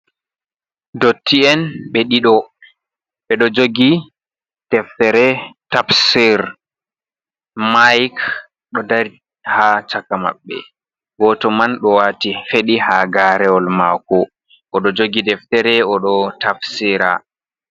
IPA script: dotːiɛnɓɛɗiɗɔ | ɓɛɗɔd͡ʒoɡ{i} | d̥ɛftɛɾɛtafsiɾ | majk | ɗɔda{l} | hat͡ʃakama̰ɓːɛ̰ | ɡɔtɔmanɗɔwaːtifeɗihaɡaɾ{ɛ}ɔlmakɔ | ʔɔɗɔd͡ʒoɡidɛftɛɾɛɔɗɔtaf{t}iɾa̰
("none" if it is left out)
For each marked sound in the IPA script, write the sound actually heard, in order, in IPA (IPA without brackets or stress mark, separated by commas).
i, ɾ, ɛ, s